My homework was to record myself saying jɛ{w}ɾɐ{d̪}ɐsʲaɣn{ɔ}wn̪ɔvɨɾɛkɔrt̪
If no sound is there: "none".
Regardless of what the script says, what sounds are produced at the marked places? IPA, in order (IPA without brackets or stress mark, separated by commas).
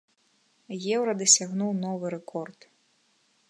w, d̪, u